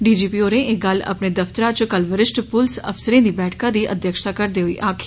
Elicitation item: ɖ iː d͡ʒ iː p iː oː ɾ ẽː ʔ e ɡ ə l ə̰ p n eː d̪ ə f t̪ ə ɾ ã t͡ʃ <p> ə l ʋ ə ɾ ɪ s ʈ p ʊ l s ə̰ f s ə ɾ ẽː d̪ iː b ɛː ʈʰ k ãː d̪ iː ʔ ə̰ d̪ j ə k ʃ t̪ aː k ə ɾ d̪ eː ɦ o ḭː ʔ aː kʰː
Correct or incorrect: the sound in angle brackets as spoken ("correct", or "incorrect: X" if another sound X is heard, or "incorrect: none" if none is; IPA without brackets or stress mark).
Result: incorrect: k